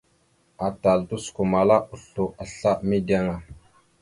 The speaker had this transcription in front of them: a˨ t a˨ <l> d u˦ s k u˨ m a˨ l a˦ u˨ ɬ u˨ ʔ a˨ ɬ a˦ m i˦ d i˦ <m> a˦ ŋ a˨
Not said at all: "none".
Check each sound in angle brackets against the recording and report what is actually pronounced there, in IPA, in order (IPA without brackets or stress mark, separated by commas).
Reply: l, none